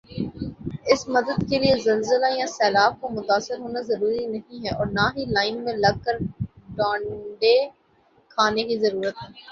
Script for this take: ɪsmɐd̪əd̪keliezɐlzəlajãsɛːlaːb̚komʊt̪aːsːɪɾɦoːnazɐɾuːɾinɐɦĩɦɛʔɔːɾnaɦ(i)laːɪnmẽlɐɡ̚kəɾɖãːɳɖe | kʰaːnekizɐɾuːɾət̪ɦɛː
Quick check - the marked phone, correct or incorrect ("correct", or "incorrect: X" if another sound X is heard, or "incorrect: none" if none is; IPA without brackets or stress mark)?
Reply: correct